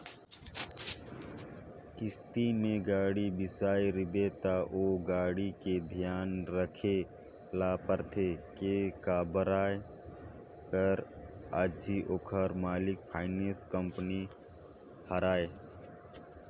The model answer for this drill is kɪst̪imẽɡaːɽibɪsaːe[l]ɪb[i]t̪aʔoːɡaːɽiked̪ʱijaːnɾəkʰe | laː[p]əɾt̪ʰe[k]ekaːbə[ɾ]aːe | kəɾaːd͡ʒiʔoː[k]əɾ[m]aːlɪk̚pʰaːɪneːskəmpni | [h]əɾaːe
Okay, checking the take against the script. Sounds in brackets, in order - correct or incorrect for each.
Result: incorrect: ɾ, incorrect: e, correct, correct, correct, incorrect: kʰ, correct, correct

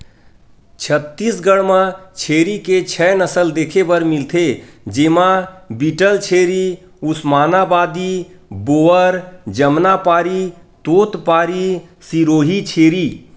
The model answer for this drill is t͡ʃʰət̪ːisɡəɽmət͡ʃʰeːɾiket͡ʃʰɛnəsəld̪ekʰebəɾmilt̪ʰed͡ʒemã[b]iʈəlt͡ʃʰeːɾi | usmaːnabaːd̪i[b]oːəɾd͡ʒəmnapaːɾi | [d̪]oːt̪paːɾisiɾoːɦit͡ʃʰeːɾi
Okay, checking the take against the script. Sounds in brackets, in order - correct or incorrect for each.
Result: correct, correct, incorrect: t̪

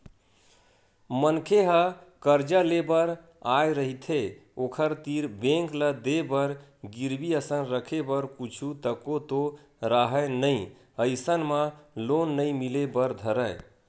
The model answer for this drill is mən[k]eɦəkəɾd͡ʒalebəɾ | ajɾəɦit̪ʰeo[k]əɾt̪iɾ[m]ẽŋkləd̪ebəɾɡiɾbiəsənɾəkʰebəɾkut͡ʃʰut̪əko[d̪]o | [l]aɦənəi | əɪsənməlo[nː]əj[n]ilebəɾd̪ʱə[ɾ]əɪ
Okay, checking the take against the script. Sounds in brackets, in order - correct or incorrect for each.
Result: incorrect: kʰ, incorrect: kʰ, incorrect: b, incorrect: t̪, incorrect: ɾ, correct, incorrect: m, correct

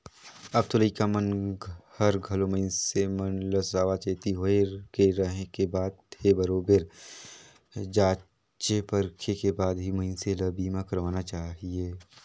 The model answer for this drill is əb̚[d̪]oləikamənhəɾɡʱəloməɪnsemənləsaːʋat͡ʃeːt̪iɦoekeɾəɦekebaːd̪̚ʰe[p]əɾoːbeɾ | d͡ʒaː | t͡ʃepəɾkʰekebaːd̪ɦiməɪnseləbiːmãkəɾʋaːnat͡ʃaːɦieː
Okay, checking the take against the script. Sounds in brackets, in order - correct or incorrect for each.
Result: incorrect: t̪, incorrect: b

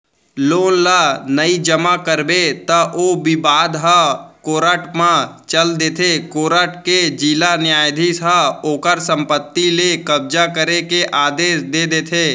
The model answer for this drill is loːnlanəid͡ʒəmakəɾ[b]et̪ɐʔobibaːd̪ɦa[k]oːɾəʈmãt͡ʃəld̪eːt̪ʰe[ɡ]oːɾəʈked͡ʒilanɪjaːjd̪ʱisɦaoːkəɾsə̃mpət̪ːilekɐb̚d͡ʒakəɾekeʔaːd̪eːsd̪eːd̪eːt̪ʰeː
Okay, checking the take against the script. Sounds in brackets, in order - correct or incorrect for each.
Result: correct, correct, incorrect: k

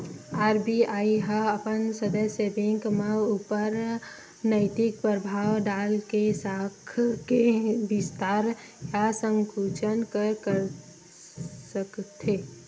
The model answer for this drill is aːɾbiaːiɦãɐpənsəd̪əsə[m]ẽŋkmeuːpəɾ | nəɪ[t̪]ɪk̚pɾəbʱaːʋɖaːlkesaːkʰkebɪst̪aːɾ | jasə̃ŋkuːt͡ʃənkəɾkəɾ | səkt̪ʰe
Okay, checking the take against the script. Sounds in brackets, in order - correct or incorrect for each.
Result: incorrect: b, correct

